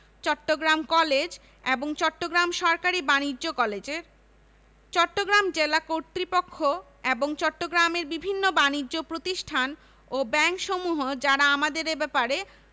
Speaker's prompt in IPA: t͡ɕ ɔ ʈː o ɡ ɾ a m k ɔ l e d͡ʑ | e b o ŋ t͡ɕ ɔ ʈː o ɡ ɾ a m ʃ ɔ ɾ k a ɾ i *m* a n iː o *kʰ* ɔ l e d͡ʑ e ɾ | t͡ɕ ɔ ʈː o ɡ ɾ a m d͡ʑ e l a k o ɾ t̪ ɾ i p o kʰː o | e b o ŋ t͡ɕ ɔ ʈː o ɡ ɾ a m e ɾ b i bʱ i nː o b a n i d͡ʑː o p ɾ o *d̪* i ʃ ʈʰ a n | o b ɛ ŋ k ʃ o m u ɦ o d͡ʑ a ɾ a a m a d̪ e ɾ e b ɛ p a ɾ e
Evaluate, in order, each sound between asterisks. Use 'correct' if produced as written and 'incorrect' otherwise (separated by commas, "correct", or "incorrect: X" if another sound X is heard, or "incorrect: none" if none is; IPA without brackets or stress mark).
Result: incorrect: b, incorrect: k, incorrect: t̪